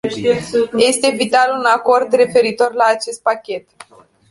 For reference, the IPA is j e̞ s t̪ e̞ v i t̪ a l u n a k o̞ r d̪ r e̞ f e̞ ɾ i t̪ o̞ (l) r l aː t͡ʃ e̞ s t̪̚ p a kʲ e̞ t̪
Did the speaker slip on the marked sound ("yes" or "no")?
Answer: yes